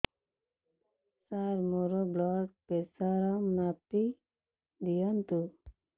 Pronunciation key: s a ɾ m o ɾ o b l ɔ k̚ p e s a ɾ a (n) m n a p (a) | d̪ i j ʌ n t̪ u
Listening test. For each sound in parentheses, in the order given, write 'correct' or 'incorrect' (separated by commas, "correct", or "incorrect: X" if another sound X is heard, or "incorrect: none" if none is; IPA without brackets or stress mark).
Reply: incorrect: none, incorrect: i